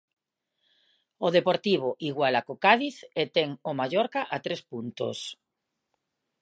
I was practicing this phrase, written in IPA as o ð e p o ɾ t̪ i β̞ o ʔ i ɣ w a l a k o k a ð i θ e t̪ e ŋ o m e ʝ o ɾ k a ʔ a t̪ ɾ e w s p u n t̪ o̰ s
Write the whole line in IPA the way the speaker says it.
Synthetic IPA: o ð e p o ɾ t̪ i β̞ o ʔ i ɣ w a l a k o k a ð i θ e t̪ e ŋ o m a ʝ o ɾ k a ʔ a t̪ ɾ e s p u n t̪ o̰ s